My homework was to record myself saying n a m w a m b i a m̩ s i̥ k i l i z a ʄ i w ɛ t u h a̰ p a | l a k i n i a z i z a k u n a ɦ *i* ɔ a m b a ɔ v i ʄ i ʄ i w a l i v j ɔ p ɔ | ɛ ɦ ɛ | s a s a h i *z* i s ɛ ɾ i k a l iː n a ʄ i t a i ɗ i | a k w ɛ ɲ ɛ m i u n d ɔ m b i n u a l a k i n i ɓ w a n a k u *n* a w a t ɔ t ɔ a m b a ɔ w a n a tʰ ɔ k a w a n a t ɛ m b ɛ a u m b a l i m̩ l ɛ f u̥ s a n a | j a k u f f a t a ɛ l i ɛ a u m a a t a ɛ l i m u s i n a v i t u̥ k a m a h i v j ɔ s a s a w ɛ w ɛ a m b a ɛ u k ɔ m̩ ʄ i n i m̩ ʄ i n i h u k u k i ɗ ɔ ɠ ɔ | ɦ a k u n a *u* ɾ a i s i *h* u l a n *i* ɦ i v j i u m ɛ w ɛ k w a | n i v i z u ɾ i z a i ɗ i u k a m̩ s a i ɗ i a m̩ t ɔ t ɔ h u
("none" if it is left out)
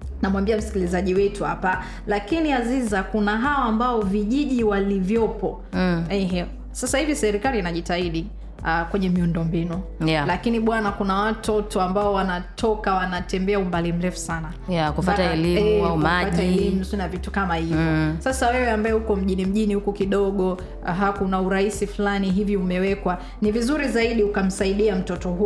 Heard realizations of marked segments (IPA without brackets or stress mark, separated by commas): a, v, n, u, f, i